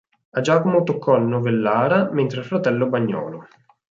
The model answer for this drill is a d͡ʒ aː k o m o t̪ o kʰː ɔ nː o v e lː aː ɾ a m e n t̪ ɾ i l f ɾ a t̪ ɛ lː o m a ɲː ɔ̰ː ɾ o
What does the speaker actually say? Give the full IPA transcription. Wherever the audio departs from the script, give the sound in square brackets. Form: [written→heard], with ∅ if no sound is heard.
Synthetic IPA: a d͡ʒ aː k o m o t̪ o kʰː ɔ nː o v e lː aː ɾ a m e n t̪ ɾ [i→e] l f ɾ a t̪ ɛ lː o [m→b] a ɲː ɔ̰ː [ɾ→l] o